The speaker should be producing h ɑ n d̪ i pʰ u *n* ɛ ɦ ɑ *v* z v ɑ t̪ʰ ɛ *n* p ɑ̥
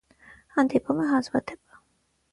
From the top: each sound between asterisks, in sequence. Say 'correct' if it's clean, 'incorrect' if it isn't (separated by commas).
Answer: incorrect, incorrect, incorrect